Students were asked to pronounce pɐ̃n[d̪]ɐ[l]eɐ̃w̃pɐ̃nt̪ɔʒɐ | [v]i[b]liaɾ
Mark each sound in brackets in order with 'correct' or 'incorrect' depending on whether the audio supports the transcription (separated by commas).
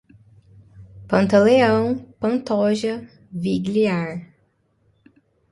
incorrect, correct, correct, incorrect